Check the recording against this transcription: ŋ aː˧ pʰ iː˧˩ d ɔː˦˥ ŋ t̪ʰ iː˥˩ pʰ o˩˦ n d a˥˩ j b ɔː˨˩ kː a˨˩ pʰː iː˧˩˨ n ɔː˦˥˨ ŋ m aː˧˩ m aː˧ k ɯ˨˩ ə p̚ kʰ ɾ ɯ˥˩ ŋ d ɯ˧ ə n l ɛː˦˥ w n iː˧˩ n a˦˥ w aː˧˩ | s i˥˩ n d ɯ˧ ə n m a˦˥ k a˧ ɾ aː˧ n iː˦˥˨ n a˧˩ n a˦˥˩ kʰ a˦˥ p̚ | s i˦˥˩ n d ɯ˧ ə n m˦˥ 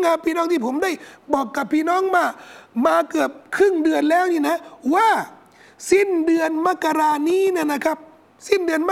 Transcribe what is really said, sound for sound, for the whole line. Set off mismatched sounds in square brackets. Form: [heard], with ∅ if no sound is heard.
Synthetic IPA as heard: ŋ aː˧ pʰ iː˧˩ [n] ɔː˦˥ ŋ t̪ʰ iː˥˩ pʰ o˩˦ [m] d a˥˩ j b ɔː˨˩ kː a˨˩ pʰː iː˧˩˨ n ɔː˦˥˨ ŋ m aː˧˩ m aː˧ k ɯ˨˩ ə p̚ kʰ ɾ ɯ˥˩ ŋ d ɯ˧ ə n l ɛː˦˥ w n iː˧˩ n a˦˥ w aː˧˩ | s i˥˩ n d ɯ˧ ə n m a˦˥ k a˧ ɾ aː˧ n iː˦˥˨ n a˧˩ n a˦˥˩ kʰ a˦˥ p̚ | s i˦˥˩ n d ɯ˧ ə n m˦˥